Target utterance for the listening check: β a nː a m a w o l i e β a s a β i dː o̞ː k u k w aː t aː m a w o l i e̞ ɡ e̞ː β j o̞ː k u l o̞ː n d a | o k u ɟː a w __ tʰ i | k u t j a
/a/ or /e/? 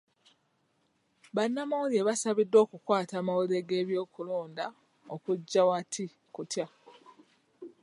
a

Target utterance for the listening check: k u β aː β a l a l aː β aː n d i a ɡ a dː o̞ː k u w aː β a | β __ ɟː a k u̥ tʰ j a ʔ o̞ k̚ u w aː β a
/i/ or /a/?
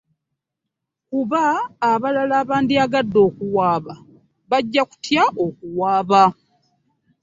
a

